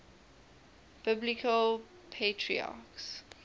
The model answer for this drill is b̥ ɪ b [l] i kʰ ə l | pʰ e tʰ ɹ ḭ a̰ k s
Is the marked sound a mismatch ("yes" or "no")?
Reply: no